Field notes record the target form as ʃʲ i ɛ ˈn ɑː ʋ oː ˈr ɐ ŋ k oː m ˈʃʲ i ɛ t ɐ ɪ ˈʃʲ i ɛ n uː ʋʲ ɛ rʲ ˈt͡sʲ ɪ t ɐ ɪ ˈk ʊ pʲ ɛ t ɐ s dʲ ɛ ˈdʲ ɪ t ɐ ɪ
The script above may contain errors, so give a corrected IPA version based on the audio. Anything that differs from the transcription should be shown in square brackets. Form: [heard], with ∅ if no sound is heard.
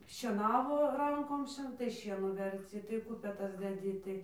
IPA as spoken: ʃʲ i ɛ ˈn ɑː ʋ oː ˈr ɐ ŋ k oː m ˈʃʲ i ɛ t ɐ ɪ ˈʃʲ i ɛ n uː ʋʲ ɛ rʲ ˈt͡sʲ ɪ t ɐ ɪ ˈk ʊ pʲ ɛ t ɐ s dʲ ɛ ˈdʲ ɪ t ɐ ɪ